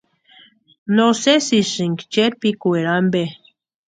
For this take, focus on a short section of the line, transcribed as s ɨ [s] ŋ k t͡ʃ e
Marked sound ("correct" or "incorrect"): incorrect